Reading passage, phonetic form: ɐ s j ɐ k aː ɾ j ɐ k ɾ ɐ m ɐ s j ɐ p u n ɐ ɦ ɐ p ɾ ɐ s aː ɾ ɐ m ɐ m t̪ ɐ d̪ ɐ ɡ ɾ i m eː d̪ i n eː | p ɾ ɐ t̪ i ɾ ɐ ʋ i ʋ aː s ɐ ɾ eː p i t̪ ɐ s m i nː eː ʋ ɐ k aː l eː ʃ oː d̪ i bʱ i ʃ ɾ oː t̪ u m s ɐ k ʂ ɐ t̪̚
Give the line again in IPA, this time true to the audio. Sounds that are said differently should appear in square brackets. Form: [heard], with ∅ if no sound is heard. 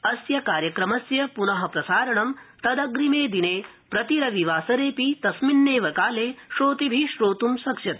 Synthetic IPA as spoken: ɐ s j ɐ k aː ɾ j ɐ k ɾ ɐ m ɐ s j ɐ p u n ɐ ɦ ɐ p ɾ ɐ s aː ɾ ɐ [ɳ] ɐ m t̪ ɐ d̪ ɐ ɡ ɾ i m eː d̪ i n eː | p ɾ ɐ t̪ i ɾ ɐ ʋ i ʋ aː s ɐ ɾ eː p i t̪ ɐ s m i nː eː ʋ ɐ k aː l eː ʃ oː [t̪] i bʱ i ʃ ɾ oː t̪ u m s ɐ k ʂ ɐ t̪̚